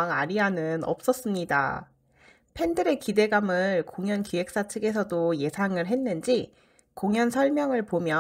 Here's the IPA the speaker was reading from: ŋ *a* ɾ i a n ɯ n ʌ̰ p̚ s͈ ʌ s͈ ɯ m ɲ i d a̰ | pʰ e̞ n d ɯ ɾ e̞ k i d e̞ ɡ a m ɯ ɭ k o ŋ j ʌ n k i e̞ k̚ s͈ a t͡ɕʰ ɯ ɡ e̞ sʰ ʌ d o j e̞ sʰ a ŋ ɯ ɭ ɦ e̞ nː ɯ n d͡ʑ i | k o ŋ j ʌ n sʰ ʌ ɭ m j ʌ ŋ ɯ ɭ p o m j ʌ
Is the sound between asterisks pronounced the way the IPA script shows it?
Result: yes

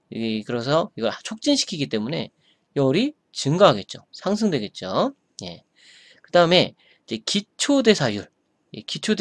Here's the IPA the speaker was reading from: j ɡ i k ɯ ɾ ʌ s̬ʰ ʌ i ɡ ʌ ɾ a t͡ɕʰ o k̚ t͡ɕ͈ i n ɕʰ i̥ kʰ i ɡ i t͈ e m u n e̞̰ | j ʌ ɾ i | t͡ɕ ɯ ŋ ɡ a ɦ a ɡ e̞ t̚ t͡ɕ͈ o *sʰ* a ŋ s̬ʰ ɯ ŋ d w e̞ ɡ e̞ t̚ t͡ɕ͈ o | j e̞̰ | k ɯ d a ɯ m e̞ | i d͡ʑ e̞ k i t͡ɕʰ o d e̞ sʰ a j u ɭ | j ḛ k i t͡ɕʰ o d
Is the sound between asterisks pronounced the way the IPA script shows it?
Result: yes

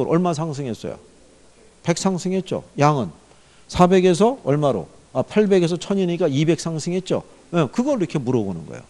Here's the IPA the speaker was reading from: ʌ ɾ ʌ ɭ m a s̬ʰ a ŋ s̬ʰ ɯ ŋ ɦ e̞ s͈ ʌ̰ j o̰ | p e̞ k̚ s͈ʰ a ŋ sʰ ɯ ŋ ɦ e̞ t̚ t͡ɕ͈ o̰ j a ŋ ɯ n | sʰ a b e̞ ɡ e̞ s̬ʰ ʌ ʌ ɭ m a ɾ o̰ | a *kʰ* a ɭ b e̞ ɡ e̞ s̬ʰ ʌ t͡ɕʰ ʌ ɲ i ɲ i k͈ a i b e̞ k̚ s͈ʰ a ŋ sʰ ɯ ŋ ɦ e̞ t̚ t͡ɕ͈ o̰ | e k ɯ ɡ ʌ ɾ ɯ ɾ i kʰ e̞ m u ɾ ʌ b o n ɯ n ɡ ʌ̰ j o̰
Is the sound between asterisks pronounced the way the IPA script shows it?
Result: no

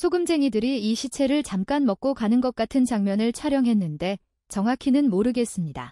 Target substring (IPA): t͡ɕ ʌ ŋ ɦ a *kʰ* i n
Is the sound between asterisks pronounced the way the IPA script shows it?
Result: yes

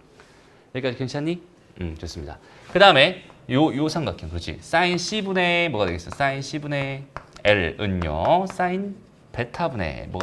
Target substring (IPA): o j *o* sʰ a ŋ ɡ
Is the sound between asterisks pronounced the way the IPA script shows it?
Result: yes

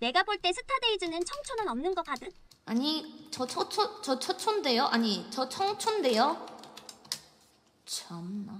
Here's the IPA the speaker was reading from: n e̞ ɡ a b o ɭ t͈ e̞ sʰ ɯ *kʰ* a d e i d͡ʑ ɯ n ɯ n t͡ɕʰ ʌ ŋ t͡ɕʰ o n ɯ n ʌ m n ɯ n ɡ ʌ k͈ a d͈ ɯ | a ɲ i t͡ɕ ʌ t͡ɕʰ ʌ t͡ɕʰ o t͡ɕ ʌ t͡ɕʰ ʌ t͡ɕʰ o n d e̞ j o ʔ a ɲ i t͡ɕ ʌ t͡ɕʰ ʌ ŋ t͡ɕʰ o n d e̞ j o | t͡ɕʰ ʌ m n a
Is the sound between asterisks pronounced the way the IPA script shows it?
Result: no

